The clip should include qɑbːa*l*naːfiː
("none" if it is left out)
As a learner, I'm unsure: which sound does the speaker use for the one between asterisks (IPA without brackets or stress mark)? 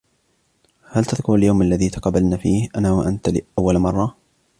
l